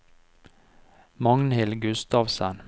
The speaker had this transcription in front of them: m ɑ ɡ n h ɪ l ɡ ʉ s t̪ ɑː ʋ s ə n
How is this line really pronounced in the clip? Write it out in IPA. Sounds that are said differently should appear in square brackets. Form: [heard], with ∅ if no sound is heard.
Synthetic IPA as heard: m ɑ [ŋ] n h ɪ l ɡ ʉ s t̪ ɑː ʋ s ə n

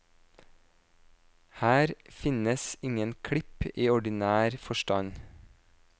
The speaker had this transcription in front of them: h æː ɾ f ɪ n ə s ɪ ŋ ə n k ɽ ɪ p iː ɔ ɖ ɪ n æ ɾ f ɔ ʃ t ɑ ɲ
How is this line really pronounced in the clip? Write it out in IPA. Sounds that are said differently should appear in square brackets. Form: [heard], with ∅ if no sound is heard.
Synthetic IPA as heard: h æː ɾ f ɪ n ə s ɪ ŋ ə n [kʰ] ɽ ɪ p iː ɔ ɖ ɪ n [æː] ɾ f ɔ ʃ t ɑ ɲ

